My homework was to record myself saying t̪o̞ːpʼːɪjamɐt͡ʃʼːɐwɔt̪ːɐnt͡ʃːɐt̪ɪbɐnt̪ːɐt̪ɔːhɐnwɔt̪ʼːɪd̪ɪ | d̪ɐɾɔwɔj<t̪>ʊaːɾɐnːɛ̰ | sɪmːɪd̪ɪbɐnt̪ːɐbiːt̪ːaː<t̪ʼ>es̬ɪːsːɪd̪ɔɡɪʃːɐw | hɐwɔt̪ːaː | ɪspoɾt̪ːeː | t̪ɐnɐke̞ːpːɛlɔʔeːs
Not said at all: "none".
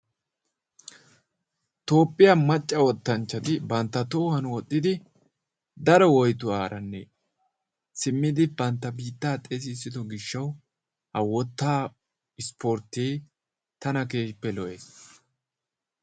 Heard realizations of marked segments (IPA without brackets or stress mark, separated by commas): t̪, t̪ʼ